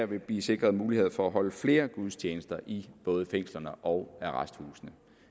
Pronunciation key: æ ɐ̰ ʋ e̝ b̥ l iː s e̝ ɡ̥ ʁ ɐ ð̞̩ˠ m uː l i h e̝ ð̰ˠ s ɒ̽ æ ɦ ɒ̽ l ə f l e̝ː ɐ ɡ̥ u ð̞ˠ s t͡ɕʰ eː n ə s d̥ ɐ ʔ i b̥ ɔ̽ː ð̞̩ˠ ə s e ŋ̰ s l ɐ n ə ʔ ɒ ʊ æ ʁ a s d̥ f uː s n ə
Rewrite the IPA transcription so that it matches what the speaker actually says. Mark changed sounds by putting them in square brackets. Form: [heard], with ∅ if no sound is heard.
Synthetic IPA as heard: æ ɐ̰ ʋ e̝ b̥ l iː s e̝ ɡ̥ ʁ ɐ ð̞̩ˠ m uː l i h e̝ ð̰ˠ [f] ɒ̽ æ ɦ ɒ̽ l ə f l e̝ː ɐ ɡ̥ u ð̞ˠ s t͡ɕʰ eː n ə s d̥ ɐ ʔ i b̥ ɔ̽ː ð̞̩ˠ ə [f] e ŋ̰ s l ɐ n ə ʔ ɒ ʊ æ ʁ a s d̥ [h] uː s n ə